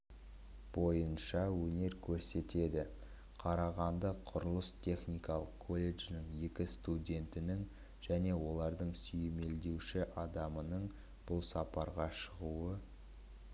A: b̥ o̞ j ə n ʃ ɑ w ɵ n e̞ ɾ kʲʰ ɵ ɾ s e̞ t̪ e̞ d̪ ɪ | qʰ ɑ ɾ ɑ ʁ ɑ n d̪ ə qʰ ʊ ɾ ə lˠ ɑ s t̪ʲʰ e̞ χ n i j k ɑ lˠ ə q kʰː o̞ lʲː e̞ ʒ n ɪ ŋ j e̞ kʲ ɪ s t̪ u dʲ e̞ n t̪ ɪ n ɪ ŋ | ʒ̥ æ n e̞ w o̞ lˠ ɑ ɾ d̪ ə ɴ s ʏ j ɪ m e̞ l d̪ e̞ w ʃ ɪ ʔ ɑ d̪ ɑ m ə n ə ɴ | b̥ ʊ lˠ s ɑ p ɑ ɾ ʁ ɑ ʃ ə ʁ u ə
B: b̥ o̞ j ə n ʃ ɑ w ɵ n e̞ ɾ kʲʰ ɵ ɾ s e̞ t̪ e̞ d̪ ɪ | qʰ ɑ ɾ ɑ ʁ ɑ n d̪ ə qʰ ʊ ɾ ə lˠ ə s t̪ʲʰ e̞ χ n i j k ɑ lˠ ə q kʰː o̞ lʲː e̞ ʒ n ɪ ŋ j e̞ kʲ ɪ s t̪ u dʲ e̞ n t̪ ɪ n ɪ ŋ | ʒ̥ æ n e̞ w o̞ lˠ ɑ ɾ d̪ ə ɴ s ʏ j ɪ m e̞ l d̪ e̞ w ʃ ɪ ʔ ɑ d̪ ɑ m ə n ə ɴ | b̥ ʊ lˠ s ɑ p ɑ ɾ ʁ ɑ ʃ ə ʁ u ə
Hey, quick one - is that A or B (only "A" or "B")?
B